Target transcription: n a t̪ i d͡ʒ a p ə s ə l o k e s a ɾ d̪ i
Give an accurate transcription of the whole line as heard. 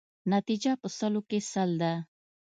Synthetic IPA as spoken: n a t̪ i d͡ʒ a p ə s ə l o k e s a l d̪ a